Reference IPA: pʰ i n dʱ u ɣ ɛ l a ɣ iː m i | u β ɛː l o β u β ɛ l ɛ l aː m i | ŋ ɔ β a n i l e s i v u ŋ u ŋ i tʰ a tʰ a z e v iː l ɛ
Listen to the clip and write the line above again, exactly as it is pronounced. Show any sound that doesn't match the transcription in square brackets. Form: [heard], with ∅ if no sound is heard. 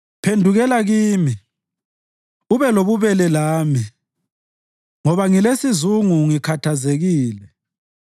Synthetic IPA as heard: pʰ [e] n dʱ u ɣ ɛ l a ɣ iː m i | u β [ɛ] l o β u β ɛ l ɛ l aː m i | ŋ ɔ β a [ŋ] i l e s i [z] u ŋ u ŋ i [kʰ] a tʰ a z e [ɣ] iː l ɛ